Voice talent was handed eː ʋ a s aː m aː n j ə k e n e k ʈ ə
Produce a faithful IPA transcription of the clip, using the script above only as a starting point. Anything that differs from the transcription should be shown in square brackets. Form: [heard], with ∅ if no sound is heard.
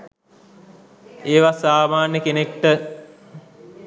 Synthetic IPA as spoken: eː ʋ a s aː m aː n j ə k e n e k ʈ ə